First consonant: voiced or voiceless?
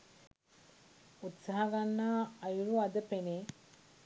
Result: voiceless